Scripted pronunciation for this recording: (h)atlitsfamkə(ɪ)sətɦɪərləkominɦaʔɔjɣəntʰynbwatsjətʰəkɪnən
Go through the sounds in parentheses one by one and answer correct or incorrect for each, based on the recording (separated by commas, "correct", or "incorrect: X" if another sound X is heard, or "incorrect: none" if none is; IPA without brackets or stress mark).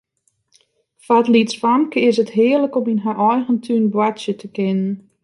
incorrect: f, correct